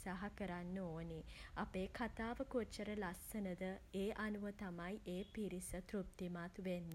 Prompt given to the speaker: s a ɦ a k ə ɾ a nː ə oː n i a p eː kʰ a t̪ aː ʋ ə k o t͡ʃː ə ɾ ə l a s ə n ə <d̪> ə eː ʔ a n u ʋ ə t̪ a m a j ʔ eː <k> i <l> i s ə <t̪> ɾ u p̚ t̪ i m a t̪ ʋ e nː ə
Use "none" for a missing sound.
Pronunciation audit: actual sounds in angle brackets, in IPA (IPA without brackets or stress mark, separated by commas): d̪, p, ɾ, t̪